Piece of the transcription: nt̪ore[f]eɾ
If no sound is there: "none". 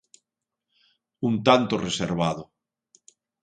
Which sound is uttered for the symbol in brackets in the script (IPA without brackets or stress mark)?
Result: s